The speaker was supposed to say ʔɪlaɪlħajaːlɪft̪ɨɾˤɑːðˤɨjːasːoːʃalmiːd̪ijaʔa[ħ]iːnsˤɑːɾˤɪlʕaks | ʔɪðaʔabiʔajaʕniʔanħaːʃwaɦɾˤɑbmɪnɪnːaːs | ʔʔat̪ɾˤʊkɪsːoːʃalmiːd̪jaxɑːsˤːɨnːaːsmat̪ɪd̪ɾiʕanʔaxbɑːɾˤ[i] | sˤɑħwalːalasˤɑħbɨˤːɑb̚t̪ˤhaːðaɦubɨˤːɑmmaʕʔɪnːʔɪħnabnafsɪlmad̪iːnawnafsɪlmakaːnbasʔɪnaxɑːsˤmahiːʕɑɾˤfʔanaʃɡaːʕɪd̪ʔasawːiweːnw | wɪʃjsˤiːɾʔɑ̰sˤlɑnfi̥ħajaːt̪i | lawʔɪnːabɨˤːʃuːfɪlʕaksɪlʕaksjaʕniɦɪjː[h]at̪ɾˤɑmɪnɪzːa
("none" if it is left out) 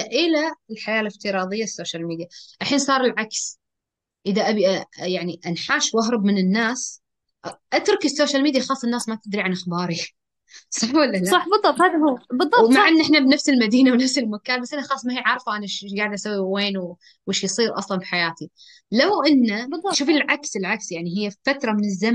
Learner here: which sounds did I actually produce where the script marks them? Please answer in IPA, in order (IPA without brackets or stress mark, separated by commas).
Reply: ħ, i, f